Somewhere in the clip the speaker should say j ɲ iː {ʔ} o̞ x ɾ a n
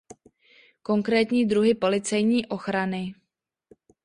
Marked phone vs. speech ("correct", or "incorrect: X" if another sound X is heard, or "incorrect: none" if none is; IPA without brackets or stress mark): correct